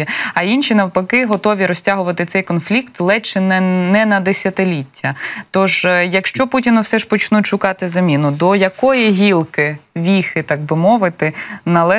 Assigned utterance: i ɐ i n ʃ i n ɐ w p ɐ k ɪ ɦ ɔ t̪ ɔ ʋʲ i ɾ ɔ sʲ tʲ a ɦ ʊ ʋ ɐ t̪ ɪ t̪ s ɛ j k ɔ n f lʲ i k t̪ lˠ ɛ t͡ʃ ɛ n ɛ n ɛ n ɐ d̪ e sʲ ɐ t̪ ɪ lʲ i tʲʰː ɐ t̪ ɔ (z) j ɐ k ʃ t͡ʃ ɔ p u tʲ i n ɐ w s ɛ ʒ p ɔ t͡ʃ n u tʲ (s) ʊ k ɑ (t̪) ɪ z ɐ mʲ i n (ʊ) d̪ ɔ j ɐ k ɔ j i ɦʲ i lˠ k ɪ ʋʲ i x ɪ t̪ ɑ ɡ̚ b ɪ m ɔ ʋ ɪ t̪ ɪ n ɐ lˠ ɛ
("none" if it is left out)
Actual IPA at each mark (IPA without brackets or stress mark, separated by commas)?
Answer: ʒ, ʃ, t̪, ʊ